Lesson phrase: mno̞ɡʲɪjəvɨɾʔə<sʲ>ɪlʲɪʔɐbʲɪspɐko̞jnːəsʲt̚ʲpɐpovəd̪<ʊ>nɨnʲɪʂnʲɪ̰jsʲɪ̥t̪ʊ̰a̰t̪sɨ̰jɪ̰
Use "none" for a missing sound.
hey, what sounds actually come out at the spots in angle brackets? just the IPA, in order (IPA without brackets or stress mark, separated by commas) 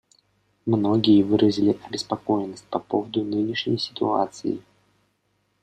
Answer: zʲ, ʊ